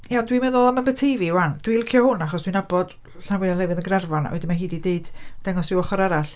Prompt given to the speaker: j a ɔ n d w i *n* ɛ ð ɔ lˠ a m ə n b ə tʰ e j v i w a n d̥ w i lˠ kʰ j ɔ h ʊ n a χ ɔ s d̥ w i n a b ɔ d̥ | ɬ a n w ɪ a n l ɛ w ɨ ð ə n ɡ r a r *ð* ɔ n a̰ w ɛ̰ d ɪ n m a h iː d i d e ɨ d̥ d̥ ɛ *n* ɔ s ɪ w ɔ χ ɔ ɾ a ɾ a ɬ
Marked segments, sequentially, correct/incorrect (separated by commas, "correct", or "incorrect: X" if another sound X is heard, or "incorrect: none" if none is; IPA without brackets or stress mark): incorrect: m, incorrect: v, incorrect: ŋ